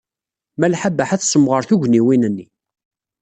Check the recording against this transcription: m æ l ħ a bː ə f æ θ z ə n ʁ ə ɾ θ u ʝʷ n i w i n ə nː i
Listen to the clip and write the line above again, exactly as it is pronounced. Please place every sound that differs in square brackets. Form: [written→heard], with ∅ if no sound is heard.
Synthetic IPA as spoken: m æ l ħ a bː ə [f→ħ] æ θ [z→s] ə [n→m] ʁ ə ɾ θ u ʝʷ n i w i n ə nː i